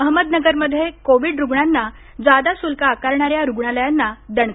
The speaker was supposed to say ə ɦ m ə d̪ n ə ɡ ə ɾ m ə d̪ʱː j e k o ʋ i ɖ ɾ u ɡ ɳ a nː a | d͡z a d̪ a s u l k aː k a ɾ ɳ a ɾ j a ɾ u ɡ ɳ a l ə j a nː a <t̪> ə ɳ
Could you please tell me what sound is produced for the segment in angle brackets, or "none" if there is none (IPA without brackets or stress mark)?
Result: d̪